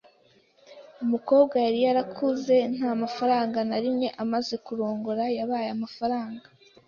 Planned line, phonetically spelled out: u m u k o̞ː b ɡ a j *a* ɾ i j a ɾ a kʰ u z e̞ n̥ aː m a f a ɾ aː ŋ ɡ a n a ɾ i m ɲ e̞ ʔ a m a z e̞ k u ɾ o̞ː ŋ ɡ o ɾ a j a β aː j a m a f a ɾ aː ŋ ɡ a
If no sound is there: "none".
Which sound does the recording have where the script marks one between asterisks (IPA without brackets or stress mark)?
a